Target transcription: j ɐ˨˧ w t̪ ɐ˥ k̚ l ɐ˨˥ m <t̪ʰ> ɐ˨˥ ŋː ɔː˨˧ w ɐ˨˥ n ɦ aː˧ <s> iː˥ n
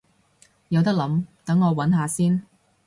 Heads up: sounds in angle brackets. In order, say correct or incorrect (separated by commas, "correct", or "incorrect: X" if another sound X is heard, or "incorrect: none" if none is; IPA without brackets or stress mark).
incorrect: t̪, correct